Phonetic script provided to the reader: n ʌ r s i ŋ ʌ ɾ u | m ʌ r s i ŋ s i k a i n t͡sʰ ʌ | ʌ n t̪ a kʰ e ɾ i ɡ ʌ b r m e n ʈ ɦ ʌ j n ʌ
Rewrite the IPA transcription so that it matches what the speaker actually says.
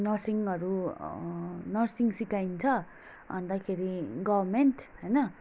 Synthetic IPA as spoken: n ʌ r s i ŋ ʌ ɾ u | n ʌ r s i ŋ s i k a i n t͡sʰ ʌ | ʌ n d̪ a kʰ e ɾ i ɡ ʌ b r m e n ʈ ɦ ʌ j n ʌ